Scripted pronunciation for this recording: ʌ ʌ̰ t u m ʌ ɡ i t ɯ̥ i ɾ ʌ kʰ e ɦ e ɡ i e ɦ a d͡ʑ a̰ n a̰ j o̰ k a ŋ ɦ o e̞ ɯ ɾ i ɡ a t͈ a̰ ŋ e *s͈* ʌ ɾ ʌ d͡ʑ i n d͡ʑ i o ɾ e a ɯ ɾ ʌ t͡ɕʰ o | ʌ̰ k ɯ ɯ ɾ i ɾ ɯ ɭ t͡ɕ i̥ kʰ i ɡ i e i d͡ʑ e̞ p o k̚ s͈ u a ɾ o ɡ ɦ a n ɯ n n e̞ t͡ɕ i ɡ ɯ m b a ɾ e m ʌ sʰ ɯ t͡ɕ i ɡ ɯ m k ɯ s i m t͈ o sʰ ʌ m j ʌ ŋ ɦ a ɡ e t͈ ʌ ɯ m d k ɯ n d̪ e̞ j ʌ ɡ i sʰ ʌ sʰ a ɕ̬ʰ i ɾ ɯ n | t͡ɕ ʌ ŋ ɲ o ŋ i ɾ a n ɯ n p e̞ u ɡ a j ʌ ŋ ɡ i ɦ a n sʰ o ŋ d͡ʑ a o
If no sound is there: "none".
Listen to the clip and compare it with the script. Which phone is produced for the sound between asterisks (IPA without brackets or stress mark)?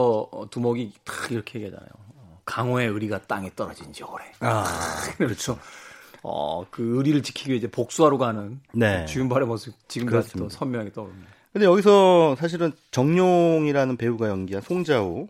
t͈